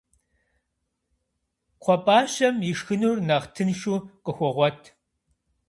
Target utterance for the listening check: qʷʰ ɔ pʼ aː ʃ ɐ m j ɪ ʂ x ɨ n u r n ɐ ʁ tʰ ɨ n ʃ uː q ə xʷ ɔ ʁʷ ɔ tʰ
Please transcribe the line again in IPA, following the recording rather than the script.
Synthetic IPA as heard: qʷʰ ɔ pʼ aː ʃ ɐ m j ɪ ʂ x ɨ n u r n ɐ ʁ tʰ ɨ n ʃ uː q ə xʷ ɔ ʁʷ ɔ tʰ